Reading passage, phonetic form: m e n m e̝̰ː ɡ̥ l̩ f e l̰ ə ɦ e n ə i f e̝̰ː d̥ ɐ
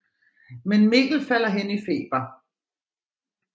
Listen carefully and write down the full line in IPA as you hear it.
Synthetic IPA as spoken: m e n m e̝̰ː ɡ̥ l̩ f æ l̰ ɐ ɦ e n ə i f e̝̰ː b̥ ɐ